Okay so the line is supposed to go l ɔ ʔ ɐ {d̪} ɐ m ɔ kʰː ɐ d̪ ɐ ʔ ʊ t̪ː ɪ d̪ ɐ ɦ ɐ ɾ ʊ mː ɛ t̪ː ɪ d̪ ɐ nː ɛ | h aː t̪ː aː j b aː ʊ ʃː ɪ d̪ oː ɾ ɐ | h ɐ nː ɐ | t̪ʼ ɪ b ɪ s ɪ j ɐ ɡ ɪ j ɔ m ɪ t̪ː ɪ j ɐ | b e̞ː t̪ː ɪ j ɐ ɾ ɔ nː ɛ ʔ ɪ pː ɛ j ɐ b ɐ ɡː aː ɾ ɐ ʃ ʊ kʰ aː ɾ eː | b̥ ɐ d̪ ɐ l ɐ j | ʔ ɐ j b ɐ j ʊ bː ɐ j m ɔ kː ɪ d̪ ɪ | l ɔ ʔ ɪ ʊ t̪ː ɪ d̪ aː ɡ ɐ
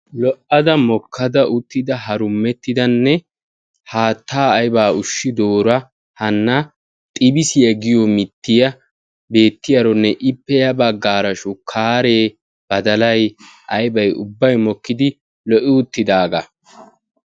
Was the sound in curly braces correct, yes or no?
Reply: yes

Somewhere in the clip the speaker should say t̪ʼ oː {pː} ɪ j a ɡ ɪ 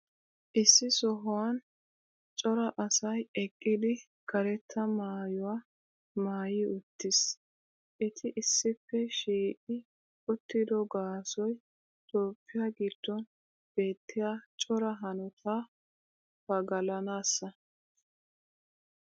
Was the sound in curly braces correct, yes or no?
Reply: yes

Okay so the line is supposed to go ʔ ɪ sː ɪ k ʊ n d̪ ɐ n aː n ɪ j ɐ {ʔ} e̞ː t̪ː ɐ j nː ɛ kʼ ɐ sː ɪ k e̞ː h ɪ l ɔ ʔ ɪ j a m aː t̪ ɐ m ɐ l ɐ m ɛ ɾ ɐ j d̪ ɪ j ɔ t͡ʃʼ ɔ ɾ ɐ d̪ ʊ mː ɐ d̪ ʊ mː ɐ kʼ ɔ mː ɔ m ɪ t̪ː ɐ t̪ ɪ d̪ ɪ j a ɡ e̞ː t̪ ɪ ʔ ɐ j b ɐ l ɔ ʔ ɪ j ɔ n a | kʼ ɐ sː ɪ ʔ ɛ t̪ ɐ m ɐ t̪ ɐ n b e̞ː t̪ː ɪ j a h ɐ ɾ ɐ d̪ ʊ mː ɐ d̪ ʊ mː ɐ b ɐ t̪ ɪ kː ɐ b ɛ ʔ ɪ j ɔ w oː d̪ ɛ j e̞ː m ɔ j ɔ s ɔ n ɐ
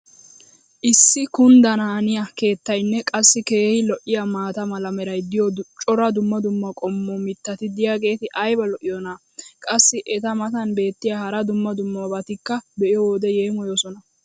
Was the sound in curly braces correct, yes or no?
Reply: no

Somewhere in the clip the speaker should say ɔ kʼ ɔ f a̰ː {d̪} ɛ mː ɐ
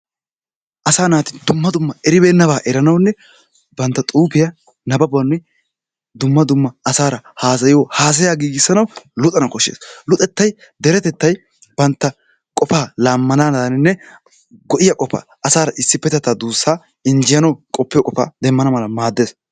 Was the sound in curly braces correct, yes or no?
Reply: yes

